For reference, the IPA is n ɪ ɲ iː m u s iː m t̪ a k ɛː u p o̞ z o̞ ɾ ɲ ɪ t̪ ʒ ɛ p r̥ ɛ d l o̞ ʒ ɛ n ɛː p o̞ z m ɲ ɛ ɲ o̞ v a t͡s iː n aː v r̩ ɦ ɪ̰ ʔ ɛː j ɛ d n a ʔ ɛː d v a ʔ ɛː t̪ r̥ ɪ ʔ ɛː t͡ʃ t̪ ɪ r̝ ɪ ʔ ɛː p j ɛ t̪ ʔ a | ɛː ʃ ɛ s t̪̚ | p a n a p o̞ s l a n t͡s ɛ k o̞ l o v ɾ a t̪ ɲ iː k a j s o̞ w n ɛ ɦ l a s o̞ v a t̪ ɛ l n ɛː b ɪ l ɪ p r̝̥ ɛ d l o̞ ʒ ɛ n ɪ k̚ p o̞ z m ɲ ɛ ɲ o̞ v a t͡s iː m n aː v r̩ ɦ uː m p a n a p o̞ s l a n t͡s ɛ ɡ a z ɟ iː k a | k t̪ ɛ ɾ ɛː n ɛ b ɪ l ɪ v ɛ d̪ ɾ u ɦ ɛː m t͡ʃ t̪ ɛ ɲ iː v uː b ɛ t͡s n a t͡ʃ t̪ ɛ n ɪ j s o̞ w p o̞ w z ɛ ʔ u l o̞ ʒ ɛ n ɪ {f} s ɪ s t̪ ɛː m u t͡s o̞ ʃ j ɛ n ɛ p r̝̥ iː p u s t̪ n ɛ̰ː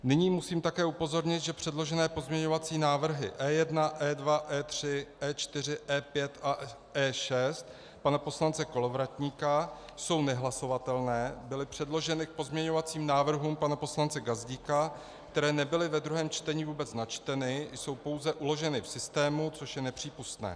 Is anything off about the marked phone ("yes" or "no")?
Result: no